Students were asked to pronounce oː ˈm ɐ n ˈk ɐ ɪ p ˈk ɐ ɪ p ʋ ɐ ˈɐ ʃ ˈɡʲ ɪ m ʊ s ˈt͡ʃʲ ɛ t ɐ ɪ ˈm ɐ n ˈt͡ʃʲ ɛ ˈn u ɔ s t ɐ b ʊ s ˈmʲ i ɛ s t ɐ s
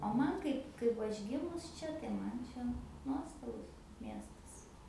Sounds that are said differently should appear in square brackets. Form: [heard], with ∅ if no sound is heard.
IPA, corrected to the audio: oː ˈm ɐ n ˈk ɐ ɪ p ˈk ɐ ɪ p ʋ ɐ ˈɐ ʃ ˈɡʲ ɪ m ʊ s ˈt͡ʃʲ ɛ t ɐ ɪ ˈm ɐ n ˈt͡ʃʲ ɛ ˈn u ɔ s t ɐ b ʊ s ˈmʲ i ɛ s t ɐ s